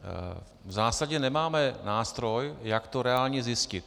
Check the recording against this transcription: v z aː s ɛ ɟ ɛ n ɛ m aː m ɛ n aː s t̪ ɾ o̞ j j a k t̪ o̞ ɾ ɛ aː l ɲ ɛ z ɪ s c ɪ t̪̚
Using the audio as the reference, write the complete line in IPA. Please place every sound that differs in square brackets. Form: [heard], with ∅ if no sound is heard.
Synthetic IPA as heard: v z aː s [a] ɟ ɛ n ɛ m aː m ɛ n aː s t̪ ɾ o̞ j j a k t̪ o̞ ɾ ɛ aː l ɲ ɛ z ɪ s c ɪ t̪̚